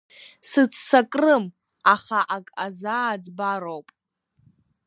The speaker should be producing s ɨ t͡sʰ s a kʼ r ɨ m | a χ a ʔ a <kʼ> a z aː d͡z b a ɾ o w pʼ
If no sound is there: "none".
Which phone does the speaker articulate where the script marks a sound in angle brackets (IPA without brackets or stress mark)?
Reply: kʼ